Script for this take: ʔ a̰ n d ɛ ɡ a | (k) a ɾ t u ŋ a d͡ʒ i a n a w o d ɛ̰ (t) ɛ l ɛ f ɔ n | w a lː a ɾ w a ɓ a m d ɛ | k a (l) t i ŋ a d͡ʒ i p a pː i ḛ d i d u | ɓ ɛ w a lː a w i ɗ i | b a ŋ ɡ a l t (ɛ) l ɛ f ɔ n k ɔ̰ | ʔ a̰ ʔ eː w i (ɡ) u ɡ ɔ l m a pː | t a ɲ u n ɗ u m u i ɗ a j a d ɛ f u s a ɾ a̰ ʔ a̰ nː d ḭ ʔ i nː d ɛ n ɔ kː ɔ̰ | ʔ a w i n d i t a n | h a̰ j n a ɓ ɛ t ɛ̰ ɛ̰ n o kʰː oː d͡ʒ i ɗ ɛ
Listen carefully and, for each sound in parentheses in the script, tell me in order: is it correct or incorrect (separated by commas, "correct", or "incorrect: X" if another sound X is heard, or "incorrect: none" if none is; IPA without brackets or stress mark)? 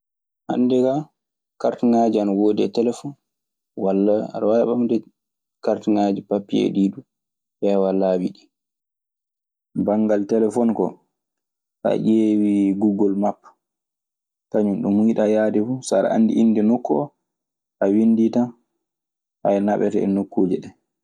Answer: correct, correct, incorrect: ɾ, correct, correct